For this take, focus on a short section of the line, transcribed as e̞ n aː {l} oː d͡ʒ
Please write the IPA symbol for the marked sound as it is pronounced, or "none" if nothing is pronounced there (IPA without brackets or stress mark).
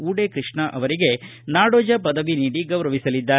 ɽ